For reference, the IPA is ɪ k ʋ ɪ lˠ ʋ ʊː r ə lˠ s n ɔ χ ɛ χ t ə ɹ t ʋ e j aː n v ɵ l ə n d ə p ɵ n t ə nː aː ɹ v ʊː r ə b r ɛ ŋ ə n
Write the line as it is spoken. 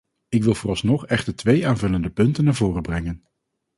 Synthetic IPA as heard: ɪ k ʋ ɪ lˠ v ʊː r ɑ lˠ s n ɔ χ ɛ χ t ə ɹ t ʋ e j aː n v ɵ l ə n d ə p ɵ n t ə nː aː ɹ v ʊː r ə b r ɛ ŋ ə n